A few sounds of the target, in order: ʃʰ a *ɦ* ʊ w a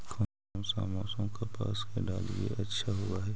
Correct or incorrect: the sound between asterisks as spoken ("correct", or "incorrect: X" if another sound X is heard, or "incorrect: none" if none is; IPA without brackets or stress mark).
correct